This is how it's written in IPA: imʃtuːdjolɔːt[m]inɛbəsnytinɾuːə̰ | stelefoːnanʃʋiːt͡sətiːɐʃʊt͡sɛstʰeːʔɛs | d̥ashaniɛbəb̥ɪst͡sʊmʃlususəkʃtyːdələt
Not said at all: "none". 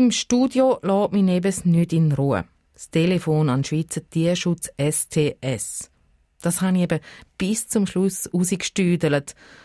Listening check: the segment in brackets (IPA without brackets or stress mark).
m